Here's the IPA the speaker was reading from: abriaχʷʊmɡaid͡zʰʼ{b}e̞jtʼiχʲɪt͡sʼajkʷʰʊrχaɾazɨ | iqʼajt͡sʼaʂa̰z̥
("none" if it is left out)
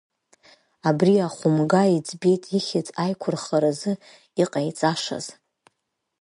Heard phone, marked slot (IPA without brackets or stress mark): b